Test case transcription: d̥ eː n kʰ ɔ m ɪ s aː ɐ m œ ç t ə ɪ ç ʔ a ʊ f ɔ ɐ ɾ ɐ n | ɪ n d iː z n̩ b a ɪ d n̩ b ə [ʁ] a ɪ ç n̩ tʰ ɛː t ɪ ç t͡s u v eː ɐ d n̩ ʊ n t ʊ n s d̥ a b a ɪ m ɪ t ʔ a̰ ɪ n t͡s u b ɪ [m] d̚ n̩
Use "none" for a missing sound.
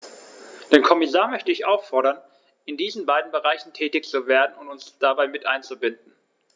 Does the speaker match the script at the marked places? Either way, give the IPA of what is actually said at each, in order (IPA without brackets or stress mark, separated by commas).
ʁ, n